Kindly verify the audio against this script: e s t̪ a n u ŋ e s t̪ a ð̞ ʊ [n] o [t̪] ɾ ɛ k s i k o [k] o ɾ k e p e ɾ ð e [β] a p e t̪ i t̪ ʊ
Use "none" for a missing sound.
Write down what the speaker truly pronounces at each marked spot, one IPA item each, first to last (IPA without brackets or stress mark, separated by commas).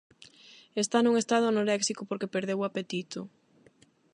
n, none, p, w